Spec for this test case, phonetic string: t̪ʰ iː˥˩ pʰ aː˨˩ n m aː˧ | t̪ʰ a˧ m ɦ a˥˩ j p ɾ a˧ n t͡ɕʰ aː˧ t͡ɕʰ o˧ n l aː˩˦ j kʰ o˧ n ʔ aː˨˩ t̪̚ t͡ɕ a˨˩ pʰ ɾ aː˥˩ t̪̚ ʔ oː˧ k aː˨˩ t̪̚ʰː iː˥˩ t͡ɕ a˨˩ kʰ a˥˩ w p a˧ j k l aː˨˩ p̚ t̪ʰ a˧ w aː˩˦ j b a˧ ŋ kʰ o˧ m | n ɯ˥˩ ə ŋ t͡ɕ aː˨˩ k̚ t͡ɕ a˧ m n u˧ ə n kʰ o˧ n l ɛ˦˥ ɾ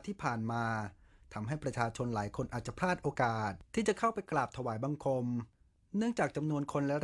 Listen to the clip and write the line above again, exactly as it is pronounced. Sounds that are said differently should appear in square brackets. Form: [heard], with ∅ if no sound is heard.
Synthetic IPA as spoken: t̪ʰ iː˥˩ pʰ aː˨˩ n m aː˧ | t̪ʰ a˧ m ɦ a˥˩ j p ɾ a˧ [∅] t͡ɕʰ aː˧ t͡ɕʰ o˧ n l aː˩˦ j kʰ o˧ n ʔ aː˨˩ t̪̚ t͡ɕ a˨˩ pʰ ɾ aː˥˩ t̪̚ ʔ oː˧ k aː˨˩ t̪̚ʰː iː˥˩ t͡ɕ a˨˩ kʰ a˥˩ w p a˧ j k l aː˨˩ p̚ t̪ʰ a˧ w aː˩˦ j b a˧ ŋ kʰ o˧ m | n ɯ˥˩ ə ŋ t͡ɕ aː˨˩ k̚ t͡ɕ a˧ m n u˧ ə n kʰ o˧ n l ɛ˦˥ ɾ